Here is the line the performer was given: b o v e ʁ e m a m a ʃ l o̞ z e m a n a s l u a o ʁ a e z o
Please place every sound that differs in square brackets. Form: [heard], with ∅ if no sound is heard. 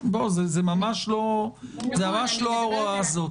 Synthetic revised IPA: b o [z] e [z] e m a m a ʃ l o̞ z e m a [m] a [ʃ] l [o] a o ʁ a [a] z o